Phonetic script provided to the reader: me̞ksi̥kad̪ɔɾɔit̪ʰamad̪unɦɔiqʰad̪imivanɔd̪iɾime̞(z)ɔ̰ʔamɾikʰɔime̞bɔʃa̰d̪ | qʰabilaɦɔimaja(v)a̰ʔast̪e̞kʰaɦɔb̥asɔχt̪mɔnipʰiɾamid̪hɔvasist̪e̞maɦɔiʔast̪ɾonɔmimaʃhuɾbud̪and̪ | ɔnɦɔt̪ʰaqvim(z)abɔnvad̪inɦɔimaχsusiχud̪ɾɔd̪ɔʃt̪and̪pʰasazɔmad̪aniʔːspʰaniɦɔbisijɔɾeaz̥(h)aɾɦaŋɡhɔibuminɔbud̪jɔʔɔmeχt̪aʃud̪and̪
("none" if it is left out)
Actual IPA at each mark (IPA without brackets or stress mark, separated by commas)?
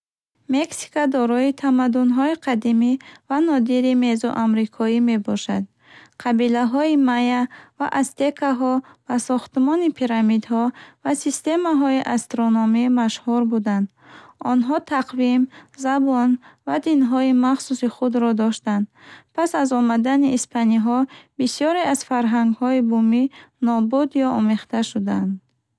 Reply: z, v, z, f